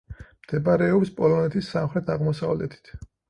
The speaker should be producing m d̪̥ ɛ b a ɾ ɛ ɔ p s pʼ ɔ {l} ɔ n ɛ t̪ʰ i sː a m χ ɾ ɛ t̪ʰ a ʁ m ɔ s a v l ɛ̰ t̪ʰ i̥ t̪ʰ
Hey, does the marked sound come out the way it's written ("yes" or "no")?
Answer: yes